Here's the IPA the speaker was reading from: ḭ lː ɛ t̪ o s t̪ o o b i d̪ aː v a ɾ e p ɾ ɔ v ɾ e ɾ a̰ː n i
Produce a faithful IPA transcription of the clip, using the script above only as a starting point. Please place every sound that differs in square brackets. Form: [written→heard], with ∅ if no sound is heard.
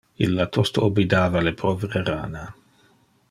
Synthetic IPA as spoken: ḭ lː [ɛ→a] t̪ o s t̪ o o b i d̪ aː v a [ɾ→l] e p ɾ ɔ v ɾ e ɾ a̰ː n [i→a]